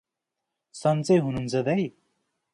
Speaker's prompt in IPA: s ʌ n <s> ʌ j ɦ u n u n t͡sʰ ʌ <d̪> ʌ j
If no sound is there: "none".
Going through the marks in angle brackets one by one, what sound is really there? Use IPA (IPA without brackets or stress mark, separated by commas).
t͡s, d̪